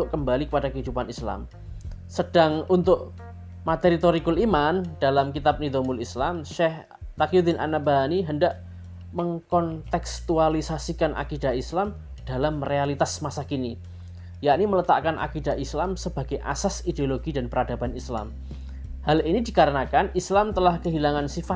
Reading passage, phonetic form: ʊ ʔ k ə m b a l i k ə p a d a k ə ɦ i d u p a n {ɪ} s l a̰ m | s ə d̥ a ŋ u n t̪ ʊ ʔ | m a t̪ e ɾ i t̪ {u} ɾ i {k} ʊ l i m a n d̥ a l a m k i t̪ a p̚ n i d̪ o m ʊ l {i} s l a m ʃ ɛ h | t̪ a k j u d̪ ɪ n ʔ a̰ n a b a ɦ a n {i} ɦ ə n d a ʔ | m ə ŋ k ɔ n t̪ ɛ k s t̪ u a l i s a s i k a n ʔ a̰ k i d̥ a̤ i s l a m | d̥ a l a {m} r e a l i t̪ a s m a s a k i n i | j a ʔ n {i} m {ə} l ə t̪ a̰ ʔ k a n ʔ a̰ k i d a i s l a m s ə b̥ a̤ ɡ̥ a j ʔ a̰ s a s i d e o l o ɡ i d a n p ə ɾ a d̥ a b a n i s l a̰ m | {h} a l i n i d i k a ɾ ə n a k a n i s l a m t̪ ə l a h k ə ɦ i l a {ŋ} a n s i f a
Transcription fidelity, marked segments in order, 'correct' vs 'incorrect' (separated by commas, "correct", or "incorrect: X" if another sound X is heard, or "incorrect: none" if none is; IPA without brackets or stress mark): incorrect: i, incorrect: o, correct, correct, correct, correct, correct, correct, correct, correct